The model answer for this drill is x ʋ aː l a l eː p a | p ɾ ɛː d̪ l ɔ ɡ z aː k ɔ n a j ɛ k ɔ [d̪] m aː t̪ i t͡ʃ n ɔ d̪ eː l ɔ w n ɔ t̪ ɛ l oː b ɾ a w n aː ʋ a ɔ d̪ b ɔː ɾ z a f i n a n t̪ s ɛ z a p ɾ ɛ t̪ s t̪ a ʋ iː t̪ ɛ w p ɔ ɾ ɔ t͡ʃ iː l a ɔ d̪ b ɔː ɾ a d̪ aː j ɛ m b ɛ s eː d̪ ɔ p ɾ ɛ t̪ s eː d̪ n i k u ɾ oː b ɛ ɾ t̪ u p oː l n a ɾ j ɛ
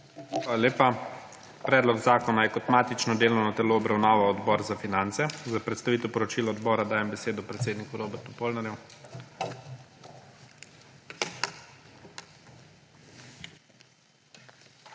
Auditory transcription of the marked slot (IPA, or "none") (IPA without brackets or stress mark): t̪